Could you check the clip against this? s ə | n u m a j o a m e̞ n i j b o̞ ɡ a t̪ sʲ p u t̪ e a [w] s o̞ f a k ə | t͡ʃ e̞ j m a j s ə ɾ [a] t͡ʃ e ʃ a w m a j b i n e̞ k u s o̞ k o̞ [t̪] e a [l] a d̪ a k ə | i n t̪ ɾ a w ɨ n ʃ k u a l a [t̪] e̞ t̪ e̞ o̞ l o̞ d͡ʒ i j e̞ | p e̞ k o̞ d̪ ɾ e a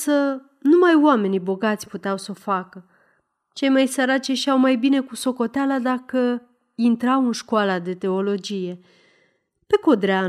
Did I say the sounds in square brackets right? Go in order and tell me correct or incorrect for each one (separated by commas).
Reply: correct, correct, correct, correct, incorrect